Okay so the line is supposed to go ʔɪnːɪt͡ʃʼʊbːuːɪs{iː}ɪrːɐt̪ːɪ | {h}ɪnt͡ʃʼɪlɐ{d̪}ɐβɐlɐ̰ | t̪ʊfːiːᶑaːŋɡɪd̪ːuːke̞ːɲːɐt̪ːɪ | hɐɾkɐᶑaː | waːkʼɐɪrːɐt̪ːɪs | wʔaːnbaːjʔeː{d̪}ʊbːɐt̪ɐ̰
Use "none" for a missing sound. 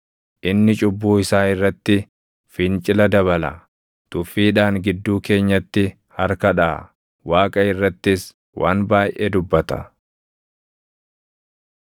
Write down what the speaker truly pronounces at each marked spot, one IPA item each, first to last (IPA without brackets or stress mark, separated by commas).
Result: aː, f, d̪, d̪